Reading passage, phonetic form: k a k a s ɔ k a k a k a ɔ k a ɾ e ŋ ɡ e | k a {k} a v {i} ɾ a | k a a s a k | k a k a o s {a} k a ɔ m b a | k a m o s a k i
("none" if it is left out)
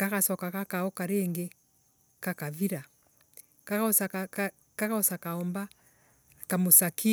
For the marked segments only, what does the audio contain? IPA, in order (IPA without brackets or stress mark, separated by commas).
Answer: k, i, a